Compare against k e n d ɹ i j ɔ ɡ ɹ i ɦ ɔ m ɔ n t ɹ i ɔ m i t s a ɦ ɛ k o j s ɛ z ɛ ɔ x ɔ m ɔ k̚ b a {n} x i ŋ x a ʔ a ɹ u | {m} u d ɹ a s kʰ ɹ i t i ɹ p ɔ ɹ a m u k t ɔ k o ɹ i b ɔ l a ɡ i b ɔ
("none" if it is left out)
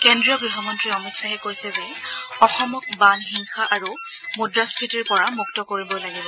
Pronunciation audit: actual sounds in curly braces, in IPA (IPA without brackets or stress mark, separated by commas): n, m